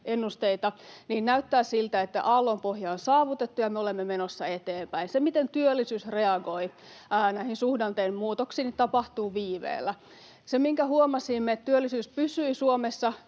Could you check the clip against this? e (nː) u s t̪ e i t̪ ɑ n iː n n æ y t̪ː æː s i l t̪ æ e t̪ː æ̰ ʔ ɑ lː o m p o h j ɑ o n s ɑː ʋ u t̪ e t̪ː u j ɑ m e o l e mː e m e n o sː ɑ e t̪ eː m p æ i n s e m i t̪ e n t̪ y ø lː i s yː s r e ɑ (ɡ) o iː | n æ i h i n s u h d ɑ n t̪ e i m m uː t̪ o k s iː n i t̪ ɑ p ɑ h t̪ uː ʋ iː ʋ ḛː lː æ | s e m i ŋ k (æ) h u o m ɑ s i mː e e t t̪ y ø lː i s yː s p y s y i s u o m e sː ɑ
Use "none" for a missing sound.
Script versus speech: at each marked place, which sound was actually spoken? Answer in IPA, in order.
nː, ɡ, æ

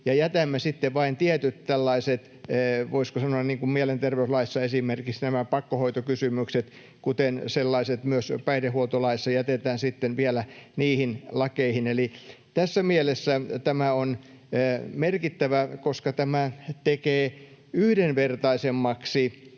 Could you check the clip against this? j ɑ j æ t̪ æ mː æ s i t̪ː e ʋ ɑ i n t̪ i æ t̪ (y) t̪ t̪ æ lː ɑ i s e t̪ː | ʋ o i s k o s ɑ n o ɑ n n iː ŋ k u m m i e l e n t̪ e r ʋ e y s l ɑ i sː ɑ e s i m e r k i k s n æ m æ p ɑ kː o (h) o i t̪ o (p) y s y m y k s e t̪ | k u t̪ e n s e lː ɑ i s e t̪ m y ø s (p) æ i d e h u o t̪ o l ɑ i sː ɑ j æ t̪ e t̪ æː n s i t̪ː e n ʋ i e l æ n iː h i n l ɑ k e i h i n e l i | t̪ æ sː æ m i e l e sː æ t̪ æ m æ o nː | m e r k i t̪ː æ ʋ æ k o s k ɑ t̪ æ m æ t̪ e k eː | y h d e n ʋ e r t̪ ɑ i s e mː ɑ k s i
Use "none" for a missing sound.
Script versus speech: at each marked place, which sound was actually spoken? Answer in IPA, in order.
y, h, k, p

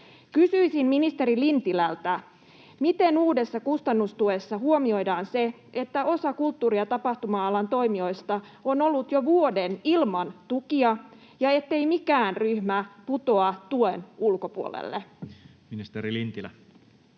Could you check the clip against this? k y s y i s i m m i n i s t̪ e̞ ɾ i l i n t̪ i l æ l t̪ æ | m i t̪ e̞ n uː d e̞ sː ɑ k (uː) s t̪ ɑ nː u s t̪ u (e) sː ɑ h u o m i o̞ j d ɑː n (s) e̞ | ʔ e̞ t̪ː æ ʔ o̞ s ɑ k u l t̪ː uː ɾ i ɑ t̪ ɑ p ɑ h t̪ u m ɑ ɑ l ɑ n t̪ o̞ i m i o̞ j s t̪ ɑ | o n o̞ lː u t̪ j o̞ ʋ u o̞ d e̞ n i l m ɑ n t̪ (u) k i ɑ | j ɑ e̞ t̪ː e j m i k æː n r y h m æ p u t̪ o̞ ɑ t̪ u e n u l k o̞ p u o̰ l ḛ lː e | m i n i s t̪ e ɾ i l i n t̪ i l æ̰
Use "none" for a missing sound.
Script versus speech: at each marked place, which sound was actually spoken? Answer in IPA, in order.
u, e, s, u

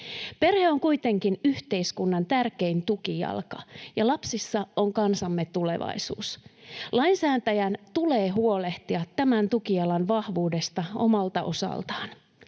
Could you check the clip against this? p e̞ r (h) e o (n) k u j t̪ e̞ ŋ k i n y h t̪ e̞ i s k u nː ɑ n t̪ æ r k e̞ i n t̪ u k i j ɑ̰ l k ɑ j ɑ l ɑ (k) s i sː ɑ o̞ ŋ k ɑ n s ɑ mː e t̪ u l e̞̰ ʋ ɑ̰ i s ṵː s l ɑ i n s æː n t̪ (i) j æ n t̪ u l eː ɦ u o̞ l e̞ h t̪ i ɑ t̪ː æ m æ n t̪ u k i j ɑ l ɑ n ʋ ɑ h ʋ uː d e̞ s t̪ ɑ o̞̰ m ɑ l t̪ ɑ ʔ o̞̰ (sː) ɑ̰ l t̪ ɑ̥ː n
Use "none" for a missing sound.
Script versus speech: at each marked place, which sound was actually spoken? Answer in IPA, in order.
h, ŋ, p, æ, s

